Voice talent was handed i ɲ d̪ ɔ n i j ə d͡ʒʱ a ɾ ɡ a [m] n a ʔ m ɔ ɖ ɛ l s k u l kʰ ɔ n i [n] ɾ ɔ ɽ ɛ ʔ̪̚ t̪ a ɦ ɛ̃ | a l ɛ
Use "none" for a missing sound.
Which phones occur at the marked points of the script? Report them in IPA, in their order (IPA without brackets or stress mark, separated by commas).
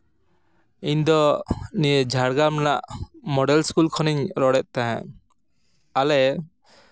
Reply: m, ɲ